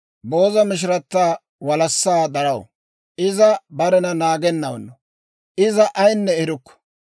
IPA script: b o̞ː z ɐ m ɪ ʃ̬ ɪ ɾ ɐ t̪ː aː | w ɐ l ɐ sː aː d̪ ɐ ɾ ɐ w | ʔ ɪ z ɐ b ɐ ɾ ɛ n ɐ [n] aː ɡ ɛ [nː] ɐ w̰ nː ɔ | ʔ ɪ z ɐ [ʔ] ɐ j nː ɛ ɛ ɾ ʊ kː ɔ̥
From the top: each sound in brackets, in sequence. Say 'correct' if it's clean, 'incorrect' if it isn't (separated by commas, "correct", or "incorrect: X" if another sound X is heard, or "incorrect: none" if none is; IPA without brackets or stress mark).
correct, correct, correct